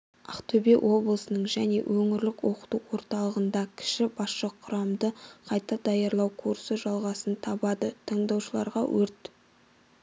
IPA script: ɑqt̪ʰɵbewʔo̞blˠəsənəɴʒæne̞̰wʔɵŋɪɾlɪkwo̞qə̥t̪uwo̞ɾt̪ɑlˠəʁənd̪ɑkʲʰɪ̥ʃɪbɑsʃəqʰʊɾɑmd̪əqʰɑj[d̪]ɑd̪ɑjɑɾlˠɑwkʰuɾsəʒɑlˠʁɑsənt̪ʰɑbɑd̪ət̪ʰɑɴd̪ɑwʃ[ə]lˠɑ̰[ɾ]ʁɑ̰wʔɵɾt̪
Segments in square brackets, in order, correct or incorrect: incorrect: t̪, correct, correct

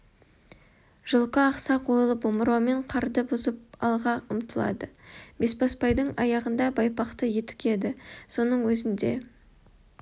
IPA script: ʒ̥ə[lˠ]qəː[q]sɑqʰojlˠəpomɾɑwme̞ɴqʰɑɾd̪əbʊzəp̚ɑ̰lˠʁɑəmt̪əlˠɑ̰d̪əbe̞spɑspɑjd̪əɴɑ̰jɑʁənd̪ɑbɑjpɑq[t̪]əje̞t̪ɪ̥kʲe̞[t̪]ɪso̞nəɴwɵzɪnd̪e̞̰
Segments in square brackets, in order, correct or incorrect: correct, correct, correct, incorrect: d̪

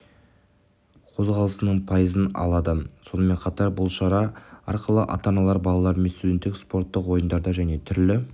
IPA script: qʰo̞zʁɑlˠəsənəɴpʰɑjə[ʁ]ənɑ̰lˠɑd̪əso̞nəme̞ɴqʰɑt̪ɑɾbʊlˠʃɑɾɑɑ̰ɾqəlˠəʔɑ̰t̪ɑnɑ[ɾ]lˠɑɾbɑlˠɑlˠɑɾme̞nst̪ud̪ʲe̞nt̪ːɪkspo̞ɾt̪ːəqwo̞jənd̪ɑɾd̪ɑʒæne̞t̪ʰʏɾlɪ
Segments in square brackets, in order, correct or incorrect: incorrect: z, incorrect: none

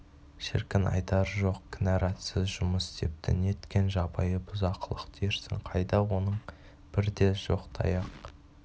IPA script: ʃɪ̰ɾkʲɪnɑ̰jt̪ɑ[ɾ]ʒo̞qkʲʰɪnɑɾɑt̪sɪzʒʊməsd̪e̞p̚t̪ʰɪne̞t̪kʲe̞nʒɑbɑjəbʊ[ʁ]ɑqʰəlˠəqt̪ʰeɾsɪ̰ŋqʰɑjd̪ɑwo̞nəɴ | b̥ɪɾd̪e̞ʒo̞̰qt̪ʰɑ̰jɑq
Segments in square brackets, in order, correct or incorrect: correct, incorrect: z

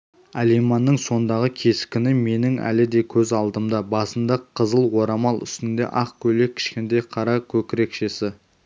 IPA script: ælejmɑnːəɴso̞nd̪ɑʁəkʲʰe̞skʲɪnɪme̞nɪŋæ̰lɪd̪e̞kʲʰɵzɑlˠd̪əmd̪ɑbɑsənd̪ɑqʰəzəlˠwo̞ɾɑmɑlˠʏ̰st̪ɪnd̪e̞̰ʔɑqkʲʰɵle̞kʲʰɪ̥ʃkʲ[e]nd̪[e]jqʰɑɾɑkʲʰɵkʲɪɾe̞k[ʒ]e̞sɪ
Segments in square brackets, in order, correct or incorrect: correct, correct, incorrect: ʃ

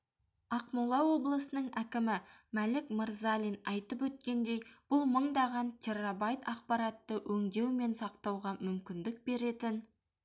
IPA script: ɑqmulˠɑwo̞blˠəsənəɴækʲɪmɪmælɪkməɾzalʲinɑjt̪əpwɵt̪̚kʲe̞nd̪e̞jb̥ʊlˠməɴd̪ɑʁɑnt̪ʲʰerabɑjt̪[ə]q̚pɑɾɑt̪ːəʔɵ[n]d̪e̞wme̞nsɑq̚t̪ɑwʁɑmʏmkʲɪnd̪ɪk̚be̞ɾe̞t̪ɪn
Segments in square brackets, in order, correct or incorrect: incorrect: ɑ, incorrect: ŋ

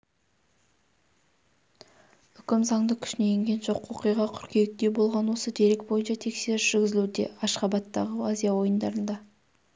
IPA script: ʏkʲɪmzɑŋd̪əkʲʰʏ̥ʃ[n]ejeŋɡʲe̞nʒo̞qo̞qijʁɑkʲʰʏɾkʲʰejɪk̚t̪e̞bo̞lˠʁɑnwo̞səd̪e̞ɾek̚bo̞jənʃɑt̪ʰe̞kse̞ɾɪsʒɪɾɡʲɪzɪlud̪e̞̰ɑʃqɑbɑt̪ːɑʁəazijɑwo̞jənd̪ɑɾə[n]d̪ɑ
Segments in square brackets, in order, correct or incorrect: correct, correct

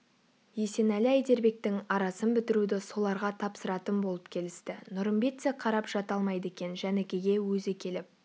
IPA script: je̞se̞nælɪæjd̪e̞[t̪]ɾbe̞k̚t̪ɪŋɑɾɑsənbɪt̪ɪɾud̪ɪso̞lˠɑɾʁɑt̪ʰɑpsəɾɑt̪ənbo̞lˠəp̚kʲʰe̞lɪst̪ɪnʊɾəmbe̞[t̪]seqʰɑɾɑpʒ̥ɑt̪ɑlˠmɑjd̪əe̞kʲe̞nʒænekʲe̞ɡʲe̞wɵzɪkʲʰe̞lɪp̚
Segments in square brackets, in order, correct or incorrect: incorrect: none, correct

